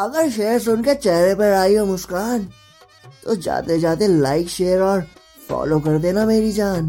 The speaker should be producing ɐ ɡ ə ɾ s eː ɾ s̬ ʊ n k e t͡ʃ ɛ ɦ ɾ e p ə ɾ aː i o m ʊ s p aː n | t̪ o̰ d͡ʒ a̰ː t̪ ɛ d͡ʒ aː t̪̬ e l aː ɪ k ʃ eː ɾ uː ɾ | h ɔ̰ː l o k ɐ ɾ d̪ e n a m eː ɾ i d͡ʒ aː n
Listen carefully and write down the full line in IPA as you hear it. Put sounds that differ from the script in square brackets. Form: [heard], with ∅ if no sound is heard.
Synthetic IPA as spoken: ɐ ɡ ə ɾ [ʃ] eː ɾ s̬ ʊ n k e t͡ʃ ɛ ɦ ɾ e p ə ɾ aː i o m ʊ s [k] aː n | t̪ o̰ d͡ʒ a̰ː t̪ [e] d͡ʒ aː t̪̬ e l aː ɪ k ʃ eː ɾ [ɔː] ɾ | [f] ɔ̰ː l o k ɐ ɾ d̪ e n a m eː ɾ i d͡ʒ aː n